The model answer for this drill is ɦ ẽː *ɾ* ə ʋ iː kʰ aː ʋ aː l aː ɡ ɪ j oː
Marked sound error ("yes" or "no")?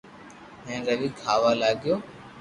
no